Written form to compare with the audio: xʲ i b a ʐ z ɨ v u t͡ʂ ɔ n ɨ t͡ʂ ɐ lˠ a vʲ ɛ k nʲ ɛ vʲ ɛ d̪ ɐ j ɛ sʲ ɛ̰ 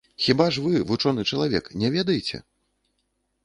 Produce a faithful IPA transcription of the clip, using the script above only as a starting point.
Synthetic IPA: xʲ i b a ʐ v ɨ v u t͡ʂ ɔ n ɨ t͡ʂ ɐ lˠ a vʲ ɛ k nʲ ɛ vʲ ɛ d̪ ɐ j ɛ t͡sʲ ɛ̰